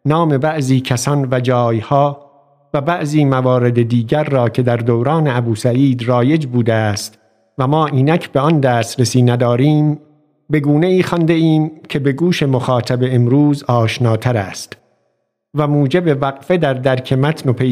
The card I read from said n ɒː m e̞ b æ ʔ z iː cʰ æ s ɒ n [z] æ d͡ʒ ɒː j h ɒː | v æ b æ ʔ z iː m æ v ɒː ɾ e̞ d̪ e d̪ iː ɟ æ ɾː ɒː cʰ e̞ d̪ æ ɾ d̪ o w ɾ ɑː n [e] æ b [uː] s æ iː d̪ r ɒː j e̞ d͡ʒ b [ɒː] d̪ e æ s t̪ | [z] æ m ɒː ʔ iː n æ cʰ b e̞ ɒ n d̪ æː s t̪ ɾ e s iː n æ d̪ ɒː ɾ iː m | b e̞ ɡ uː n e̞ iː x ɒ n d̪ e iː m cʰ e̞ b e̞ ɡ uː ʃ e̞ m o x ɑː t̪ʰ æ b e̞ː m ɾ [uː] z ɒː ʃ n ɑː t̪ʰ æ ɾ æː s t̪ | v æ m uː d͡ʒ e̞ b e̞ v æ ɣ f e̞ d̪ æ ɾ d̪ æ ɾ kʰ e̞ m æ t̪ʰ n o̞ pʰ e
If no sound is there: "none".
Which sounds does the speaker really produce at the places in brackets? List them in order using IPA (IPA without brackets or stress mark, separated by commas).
v, e, uː, uː, v, uː